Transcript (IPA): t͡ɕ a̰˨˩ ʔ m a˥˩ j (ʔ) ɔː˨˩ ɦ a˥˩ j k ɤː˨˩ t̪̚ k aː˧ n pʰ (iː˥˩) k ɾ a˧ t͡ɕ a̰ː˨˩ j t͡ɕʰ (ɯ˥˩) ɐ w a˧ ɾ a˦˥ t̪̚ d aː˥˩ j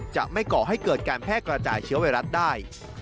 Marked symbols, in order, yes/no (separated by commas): no, no, no